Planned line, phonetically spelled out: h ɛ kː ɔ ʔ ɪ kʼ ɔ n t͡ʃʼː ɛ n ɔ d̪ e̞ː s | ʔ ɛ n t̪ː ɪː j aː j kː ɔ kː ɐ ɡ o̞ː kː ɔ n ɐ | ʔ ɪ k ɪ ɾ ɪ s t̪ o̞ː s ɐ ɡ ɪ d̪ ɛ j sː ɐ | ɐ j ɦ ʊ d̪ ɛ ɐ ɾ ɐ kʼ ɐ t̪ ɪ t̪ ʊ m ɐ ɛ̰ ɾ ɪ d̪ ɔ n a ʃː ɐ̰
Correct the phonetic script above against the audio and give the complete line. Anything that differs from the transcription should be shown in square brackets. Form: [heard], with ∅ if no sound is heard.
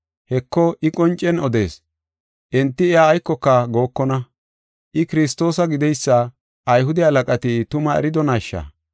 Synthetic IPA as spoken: h ɛ kː ɔ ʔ ɪ kʼ ɔ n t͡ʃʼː ɛ n ɔ d̪ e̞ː s | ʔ ɛ n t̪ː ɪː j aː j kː ɔ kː ɐ ɡ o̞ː kː ɔ n ɐ | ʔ ɪ k ɪ ɾ ɪ s t̪ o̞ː s ɐ ɡ ɪ d̪ ɛ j sː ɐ | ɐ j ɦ ʊ d̪ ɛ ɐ [l] ɐ kʼ ɐ t̪ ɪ t̪ ʊ m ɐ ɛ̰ ɾ ɪ d̪ ɔ n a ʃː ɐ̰